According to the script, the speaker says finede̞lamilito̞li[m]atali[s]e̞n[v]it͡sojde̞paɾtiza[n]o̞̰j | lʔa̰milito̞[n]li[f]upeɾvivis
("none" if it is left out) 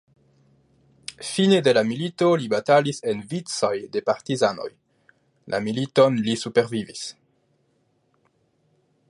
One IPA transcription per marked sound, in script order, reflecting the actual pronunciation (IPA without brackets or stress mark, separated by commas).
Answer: b, s, v, n, n, s